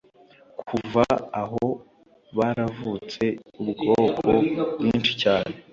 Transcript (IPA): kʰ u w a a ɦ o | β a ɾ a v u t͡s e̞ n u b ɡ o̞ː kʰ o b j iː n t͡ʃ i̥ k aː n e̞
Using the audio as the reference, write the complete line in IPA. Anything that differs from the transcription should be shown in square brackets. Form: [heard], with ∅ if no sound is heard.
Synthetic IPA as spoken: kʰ u [v] a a ɦ o | β a ɾ a v u t͡s e̞ [∅] u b ɡ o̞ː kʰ o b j iː n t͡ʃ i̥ [c] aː n e̞